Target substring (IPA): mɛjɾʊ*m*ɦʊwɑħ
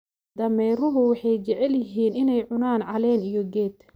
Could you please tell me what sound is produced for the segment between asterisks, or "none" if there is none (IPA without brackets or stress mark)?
none